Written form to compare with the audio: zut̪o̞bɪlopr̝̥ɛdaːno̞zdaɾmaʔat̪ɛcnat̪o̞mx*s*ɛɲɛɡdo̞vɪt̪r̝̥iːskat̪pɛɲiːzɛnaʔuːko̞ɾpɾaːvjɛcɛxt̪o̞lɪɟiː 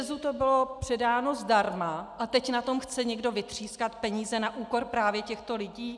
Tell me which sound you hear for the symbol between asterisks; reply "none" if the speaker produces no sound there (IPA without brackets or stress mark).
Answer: t͡s